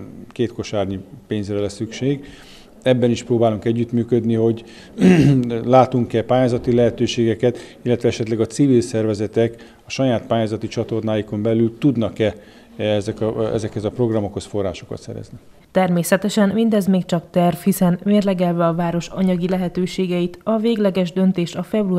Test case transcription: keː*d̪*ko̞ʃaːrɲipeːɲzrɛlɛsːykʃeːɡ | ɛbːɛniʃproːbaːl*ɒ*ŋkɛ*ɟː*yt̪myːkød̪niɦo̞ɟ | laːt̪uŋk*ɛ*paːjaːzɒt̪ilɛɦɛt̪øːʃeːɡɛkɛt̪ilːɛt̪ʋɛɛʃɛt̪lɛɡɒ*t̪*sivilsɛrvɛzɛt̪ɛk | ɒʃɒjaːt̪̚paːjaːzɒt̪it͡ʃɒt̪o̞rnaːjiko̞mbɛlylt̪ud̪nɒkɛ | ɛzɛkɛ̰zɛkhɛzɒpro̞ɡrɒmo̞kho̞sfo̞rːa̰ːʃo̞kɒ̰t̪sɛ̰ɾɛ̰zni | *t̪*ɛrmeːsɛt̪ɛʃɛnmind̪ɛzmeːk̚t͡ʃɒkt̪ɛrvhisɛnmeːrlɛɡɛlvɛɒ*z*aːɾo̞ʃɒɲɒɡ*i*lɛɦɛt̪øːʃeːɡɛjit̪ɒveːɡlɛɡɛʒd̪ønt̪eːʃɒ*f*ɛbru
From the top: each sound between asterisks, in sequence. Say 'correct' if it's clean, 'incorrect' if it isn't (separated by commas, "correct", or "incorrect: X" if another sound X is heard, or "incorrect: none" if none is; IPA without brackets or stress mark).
incorrect: t̪, incorrect: u, correct, correct, correct, correct, incorrect: v, correct, correct